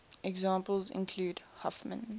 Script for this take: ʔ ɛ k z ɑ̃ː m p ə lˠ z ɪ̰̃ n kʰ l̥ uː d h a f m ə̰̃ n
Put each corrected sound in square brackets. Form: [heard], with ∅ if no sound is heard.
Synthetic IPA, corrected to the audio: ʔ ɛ [ɡ] z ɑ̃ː m p ə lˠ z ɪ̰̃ n kʰ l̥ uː d h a f m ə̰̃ n